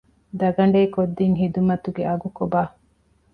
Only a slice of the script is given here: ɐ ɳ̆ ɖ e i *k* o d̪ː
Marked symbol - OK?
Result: yes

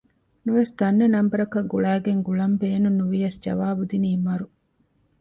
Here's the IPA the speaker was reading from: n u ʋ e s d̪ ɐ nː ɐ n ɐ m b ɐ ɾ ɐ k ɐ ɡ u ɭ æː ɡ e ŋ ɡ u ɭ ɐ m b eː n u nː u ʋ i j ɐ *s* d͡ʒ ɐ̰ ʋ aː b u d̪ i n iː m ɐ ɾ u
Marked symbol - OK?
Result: yes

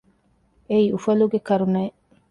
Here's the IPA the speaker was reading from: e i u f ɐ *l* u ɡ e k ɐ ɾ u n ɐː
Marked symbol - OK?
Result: yes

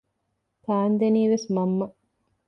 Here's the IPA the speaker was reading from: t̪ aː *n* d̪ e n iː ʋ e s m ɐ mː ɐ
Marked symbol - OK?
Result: yes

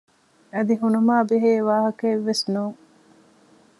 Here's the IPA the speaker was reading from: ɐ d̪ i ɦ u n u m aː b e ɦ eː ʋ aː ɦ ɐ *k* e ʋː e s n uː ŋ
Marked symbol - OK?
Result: yes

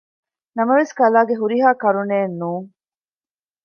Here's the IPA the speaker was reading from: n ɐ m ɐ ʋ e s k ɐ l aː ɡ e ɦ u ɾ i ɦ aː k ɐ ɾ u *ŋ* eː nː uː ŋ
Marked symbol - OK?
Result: no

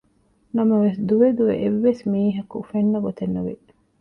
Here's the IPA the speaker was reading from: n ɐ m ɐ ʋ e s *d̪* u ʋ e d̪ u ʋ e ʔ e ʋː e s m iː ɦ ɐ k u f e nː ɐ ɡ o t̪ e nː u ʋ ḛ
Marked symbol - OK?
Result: yes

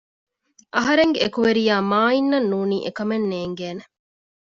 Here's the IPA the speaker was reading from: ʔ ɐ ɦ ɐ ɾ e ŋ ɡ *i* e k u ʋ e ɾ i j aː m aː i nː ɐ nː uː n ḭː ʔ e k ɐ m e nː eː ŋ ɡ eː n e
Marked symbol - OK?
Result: no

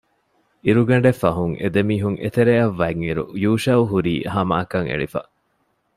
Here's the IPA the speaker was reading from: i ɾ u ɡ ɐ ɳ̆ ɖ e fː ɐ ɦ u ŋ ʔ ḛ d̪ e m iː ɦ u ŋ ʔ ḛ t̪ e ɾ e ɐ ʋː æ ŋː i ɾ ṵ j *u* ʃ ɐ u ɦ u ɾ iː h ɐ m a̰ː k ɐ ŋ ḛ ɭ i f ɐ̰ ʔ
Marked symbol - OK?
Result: no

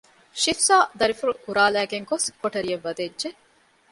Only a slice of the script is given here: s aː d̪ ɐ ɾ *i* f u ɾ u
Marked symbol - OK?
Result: yes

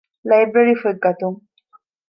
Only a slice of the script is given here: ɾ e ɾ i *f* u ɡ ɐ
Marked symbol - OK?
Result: yes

